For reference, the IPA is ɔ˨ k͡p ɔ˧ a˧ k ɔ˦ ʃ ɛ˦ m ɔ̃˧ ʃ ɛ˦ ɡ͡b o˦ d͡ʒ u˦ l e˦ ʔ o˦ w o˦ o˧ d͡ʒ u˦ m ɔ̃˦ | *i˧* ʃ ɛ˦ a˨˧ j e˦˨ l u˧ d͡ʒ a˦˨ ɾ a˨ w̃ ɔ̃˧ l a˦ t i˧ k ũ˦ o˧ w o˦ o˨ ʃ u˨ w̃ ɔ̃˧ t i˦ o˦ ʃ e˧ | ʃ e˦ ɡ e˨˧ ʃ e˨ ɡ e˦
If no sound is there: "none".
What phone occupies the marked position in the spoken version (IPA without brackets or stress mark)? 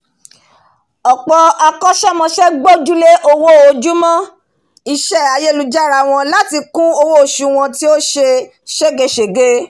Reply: i˧